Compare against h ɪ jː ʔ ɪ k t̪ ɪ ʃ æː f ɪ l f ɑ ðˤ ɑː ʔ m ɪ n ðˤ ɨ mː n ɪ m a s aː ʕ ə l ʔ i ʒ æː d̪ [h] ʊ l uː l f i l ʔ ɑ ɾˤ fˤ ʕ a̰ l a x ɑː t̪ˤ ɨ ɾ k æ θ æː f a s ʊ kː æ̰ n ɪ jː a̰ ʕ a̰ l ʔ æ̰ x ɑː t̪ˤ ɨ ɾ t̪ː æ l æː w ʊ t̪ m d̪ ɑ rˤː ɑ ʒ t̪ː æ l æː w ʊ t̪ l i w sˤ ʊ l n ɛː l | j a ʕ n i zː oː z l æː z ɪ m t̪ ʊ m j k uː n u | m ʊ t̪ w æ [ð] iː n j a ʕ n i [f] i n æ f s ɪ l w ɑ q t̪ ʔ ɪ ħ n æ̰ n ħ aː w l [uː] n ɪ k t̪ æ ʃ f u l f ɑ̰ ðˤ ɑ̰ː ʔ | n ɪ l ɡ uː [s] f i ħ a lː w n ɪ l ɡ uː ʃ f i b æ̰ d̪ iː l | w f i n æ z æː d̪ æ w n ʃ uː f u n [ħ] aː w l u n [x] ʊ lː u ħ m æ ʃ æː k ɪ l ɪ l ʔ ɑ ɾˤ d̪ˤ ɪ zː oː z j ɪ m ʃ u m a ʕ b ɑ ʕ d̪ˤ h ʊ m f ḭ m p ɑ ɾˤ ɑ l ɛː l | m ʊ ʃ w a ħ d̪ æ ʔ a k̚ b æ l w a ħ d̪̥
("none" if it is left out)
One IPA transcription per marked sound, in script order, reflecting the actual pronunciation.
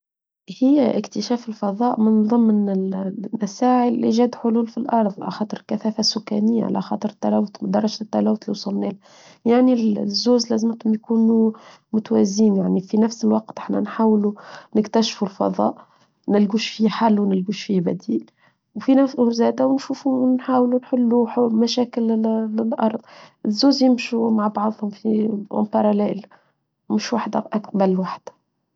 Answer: ħ, z, f, u, ʃ, ħ, ħ

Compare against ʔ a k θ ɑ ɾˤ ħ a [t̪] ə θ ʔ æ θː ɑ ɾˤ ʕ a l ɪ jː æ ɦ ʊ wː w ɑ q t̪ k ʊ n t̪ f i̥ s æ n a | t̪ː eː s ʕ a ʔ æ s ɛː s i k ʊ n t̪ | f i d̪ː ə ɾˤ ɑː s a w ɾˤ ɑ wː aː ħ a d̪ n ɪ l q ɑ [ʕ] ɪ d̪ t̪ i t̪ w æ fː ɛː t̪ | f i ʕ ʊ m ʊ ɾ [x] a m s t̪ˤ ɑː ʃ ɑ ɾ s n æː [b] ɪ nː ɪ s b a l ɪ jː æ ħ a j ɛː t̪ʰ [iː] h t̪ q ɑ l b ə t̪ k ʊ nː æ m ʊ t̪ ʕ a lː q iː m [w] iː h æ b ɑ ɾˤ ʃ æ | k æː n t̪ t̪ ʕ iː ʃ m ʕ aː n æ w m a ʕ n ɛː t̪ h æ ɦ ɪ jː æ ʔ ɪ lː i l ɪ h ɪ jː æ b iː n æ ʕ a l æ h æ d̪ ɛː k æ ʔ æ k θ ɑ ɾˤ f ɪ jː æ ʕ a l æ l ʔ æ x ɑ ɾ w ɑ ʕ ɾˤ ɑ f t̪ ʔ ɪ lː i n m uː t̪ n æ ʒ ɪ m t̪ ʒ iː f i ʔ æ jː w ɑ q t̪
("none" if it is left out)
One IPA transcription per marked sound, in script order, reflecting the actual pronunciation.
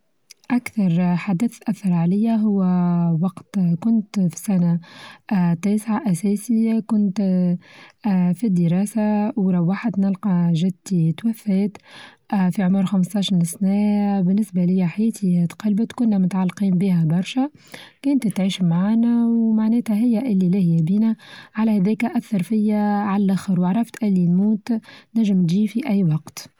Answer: d̪, ʒ, x, b, i, b

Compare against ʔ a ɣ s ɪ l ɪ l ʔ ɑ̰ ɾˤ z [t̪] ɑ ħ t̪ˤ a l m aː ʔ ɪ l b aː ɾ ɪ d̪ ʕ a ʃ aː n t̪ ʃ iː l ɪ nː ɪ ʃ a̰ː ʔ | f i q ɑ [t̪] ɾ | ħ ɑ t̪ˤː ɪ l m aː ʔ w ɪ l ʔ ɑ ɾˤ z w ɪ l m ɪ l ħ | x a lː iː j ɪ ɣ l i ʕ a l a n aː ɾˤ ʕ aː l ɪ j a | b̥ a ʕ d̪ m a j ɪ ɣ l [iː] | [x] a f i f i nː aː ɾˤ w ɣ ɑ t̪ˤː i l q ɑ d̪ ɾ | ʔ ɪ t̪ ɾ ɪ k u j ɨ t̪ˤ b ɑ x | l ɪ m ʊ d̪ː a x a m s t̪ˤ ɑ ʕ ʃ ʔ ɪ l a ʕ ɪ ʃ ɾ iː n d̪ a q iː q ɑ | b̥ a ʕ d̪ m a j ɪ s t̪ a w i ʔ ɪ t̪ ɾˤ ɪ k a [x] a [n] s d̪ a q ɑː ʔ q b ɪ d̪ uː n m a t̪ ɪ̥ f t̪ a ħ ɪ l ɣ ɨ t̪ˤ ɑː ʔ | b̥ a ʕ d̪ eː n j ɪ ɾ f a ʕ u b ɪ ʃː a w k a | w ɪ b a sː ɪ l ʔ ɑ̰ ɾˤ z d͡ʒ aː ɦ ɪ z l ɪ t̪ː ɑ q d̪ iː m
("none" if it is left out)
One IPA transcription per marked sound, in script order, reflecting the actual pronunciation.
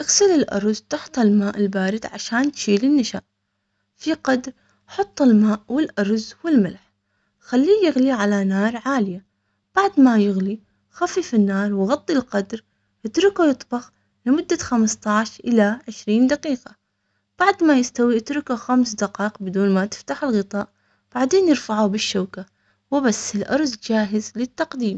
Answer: t̪, d̪, i, x, x, m

